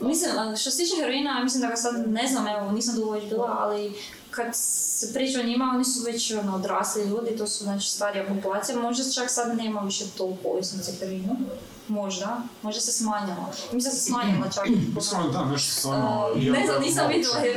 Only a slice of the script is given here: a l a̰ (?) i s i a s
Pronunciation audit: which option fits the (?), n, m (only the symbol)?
m